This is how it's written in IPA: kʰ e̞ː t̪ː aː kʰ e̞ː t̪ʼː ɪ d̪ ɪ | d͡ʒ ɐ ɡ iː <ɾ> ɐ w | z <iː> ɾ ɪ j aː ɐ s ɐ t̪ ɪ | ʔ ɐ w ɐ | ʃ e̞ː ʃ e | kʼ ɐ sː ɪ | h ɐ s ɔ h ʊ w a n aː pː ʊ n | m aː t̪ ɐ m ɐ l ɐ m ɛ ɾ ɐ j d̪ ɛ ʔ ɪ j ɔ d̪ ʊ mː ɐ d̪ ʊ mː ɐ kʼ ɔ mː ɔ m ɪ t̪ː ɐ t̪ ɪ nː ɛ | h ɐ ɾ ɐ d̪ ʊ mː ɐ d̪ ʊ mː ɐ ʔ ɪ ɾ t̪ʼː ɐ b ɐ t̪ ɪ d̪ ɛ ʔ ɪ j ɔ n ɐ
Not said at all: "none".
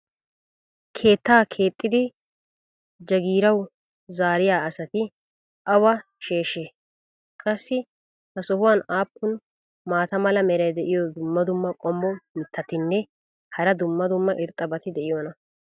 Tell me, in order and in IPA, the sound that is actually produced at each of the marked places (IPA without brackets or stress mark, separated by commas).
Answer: ɾ, aː